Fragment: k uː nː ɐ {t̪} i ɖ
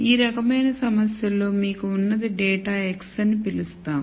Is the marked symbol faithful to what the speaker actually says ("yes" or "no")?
no